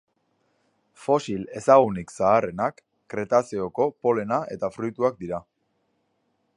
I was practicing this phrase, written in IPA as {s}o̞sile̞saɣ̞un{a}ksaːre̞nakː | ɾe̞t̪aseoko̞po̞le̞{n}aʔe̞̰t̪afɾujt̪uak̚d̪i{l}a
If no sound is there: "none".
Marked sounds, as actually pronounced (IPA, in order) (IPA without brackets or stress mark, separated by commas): f, i, n, ɾ